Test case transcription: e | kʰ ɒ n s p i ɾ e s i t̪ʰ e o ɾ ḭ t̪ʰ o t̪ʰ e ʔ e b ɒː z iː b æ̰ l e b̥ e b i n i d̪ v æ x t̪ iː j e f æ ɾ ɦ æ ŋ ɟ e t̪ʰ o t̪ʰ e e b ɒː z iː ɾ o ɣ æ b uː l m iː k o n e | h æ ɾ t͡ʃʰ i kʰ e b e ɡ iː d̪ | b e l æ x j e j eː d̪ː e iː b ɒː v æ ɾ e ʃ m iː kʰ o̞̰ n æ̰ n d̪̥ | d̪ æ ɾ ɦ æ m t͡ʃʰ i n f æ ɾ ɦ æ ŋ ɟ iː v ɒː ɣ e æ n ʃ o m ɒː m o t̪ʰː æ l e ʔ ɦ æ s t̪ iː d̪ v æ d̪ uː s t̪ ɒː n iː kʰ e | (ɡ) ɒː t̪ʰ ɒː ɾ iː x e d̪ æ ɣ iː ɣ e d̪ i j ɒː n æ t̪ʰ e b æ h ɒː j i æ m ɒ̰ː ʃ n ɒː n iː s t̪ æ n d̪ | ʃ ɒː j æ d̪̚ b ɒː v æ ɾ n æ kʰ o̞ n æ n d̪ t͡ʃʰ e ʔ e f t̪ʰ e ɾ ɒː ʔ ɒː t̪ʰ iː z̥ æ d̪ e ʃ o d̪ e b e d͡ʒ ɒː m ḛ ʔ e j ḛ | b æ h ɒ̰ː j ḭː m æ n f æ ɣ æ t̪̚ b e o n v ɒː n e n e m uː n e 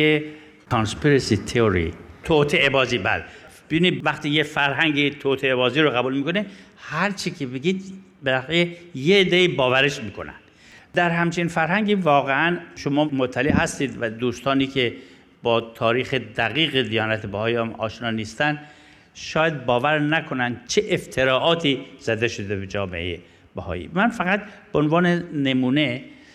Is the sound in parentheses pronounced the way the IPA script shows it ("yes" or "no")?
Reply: no